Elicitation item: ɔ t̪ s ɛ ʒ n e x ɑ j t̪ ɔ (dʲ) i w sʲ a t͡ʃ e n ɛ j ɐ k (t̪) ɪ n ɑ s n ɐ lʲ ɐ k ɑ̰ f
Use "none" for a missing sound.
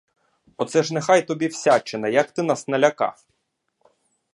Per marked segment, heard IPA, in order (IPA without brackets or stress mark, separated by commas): bʲ, t̪